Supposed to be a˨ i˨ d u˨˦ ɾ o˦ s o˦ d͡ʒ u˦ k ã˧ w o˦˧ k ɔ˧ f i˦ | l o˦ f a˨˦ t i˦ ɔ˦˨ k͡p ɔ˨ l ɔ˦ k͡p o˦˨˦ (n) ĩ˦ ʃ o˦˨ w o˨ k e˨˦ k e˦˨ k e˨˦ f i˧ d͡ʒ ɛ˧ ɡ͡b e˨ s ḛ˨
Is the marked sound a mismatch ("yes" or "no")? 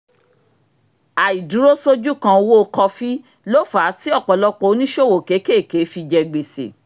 no